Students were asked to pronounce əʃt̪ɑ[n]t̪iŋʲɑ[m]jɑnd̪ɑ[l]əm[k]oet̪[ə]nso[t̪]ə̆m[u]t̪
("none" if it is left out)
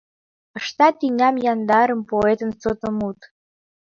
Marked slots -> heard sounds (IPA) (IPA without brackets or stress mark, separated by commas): none, m, ɾ, p, ə, t̪, u